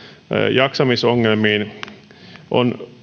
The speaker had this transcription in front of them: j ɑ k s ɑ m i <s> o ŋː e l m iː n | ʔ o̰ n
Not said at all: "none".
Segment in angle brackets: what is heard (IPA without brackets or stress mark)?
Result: s